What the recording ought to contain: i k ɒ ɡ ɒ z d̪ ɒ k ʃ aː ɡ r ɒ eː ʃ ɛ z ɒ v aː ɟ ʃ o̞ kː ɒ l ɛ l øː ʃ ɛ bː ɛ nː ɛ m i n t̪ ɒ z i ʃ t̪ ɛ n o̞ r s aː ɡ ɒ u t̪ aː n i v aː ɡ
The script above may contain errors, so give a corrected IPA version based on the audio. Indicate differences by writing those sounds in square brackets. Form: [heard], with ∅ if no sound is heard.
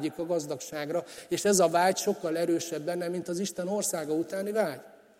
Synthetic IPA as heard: i k ɒ ɡ ɒ z d̪ ɒ k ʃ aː ɡ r ɒ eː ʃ ɛ z ɒ v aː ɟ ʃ o̞ kː ɒ l ɛ [ɾ] øː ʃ ɛ bː ɛ nː ɛ m i n t̪ ɒ z i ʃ t̪ ɛ n o̞ r s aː ɡ ɒ u t̪ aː n i v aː [ɟ]